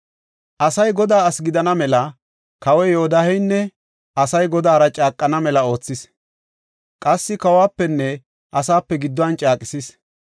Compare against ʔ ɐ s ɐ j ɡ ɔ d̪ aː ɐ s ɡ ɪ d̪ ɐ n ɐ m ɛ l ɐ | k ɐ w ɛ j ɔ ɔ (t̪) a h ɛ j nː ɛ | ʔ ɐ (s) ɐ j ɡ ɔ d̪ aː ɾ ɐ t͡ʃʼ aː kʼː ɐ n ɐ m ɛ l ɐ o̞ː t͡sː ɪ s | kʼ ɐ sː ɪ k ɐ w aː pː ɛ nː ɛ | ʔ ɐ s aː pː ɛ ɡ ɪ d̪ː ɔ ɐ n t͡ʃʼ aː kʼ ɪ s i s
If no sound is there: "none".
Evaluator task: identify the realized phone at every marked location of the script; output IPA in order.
d̪, s

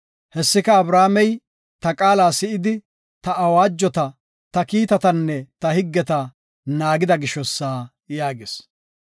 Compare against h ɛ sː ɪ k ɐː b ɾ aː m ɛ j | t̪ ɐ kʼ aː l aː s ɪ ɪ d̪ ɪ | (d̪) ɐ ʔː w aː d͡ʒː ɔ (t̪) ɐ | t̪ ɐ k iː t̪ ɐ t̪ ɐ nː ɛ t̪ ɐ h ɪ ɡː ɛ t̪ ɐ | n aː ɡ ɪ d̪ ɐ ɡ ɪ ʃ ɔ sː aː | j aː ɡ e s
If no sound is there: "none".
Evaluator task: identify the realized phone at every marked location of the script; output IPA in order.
t̪, t̪

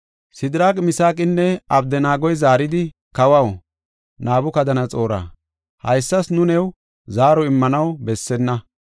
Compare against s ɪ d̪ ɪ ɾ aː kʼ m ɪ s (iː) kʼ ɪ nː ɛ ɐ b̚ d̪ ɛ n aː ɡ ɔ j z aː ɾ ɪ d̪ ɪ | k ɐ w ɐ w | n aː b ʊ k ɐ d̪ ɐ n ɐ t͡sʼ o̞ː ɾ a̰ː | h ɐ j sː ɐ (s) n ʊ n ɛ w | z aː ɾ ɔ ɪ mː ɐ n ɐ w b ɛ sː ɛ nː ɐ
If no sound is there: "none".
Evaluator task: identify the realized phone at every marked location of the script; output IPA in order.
aː, s

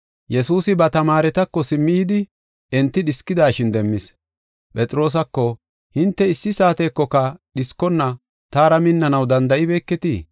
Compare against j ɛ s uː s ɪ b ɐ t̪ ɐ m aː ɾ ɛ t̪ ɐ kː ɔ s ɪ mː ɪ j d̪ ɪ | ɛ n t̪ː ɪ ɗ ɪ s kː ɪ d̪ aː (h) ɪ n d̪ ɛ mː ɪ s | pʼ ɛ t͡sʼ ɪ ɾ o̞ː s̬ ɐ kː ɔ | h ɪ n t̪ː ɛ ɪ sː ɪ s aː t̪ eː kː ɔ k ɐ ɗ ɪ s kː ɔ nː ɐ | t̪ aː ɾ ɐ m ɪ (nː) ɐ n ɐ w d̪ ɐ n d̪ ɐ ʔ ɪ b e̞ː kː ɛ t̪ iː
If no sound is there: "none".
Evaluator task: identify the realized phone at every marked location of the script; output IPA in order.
ʃ, nː

